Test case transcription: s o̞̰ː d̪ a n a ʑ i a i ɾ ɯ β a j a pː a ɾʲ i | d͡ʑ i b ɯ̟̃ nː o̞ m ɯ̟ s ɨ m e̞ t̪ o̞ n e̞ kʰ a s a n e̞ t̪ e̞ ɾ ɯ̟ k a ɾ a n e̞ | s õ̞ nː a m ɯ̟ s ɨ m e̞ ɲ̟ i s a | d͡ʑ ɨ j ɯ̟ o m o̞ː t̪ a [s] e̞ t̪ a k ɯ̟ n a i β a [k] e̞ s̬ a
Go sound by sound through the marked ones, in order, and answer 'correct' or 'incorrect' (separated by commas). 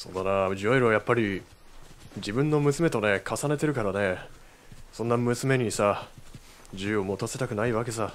correct, correct